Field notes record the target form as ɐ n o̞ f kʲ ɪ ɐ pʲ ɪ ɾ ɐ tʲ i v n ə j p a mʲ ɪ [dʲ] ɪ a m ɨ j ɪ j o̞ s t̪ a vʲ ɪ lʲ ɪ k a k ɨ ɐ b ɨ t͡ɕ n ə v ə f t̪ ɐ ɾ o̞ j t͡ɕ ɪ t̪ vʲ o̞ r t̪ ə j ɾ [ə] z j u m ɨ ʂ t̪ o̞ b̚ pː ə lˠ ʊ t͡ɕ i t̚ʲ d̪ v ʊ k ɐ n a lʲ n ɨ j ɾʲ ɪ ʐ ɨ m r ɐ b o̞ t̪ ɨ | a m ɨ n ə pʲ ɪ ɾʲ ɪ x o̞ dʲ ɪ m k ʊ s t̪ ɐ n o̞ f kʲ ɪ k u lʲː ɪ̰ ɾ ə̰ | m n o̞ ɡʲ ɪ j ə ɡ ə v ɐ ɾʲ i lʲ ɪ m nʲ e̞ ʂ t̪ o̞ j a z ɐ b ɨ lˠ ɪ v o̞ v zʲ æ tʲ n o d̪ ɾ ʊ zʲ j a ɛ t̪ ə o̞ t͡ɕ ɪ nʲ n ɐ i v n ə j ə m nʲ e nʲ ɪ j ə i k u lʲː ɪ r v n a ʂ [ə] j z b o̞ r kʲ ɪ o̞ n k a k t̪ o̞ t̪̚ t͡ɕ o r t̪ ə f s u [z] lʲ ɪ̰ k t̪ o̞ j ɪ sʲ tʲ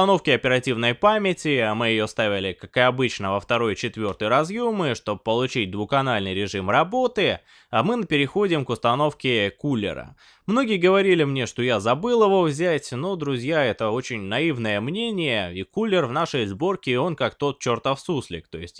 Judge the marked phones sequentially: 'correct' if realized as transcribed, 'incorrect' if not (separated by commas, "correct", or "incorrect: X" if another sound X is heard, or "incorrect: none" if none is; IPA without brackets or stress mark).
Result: incorrect: tʲ, incorrect: ɐ, correct, incorrect: s